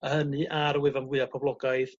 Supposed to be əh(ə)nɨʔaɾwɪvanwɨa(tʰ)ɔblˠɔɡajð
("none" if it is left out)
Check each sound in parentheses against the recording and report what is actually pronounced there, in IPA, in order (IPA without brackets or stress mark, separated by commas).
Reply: ə, pʰ